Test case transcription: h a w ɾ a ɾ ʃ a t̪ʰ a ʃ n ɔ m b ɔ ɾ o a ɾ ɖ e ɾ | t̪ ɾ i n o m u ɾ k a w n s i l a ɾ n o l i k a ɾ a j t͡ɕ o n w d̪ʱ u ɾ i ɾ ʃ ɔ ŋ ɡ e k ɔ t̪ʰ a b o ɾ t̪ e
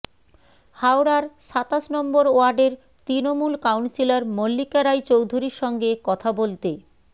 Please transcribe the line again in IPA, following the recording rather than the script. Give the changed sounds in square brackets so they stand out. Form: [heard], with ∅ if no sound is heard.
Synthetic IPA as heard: h a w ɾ a ɾ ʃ a [t̪] a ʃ n ɔ m b [o] ɾ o a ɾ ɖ e ɾ | t̪ ɾ i n o m u [l] k a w n s i l a ɾ [m] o [lː] i k a ɾ a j t͡ɕ o [∅] w d̪ʱ u ɾ i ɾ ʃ ɔ ŋ ɡ e k ɔ t̪ʰ a b o [l] t̪ e